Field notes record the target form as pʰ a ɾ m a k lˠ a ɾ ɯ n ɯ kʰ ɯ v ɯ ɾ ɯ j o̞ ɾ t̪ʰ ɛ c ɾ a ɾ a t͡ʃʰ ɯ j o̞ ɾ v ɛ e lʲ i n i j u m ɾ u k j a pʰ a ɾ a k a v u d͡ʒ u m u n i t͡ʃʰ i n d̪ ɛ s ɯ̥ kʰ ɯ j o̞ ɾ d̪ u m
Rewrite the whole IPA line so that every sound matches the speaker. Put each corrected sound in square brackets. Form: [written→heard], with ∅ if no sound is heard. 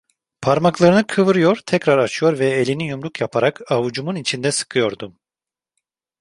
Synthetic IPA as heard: pʰ a ɾ m a k lˠ a ɾ ɯ n ɯ kʰ ɯ v ɯ ɾ ɯ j o̞ ɾ t̪ʰ ɛ c ɾ a ɾ a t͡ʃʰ ɯ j o̞ ɾ v ɛ e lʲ i n i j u m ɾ u k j a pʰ a ɾ a k a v u d͡ʒ u m u n i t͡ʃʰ i n d̪ ɛ s ɯ̥ kʰ ɯ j o̞ ɾ d̪ u m